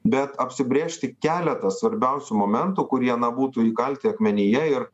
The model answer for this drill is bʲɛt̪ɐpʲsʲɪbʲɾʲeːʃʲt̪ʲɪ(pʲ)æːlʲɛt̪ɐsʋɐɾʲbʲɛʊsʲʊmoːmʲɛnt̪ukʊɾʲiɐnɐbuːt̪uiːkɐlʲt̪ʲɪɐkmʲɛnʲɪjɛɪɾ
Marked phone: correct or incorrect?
incorrect